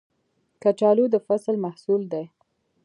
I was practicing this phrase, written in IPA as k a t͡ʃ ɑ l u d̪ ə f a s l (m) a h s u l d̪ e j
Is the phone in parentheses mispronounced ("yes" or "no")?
no